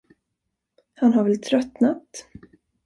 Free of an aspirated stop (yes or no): no